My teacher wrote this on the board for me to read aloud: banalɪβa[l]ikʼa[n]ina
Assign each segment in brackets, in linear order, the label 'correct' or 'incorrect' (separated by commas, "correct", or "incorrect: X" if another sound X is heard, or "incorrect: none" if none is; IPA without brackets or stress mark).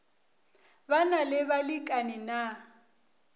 correct, correct